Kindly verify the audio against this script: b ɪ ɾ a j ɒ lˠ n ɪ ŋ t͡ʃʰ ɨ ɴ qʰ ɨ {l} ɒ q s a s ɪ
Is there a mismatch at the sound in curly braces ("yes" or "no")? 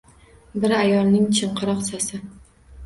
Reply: yes